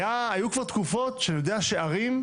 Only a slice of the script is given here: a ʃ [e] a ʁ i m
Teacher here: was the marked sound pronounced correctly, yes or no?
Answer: yes